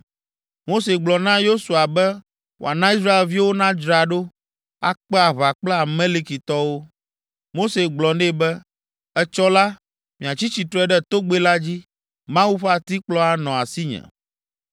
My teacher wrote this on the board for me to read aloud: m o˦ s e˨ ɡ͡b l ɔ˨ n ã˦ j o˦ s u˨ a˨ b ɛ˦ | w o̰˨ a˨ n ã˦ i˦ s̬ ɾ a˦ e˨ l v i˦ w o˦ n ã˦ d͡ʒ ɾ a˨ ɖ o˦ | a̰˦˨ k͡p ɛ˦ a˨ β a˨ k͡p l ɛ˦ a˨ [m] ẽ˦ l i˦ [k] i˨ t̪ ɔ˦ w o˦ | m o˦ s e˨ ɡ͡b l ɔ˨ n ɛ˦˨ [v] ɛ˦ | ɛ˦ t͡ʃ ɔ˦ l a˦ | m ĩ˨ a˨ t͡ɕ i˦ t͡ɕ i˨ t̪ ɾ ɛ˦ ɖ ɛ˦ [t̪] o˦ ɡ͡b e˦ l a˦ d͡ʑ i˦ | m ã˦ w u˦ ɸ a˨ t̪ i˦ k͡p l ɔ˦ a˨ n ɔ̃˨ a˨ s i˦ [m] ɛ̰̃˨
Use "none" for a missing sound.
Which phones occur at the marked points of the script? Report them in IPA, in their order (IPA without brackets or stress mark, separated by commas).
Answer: m, k, b, t̪, ɲ